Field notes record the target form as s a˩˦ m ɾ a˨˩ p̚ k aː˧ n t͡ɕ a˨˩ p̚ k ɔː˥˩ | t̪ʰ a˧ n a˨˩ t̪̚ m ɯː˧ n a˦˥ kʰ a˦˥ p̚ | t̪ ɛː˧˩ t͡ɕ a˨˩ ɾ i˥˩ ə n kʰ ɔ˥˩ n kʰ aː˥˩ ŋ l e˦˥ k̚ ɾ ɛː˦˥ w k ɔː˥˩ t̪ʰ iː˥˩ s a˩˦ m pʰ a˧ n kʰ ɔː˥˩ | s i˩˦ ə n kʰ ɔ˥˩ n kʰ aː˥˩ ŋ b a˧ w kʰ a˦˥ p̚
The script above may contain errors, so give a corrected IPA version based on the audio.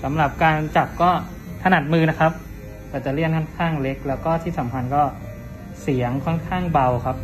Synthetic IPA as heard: s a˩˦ m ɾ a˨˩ p̚ k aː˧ n t͡ɕ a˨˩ p̚ k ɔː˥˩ | t̪ʰ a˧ n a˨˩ t̪̚ m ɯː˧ n a˦˥ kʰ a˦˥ p̚ | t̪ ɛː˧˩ t͡ɕ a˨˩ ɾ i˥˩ ə n kʰ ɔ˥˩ n kʰ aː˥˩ ŋ l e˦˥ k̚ l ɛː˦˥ w k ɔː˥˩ t̪ʰ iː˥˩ s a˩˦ m pʰ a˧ n k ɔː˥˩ | s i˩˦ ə ŋ kʰ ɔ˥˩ n kʰ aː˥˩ ŋ b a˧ w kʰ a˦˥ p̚